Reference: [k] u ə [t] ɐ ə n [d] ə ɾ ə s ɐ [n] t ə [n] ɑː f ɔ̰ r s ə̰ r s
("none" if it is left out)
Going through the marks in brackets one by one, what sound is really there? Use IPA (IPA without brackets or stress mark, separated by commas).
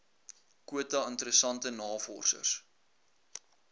k, t, t, n, n